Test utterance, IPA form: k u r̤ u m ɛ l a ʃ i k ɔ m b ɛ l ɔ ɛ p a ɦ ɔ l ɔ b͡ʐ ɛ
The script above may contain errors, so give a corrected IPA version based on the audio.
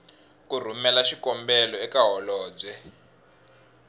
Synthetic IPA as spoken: k u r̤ u m ɛ l a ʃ i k ɔ m b ɛ l ɔ ɛ k a ɦ ɔ l ɔː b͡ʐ ɛ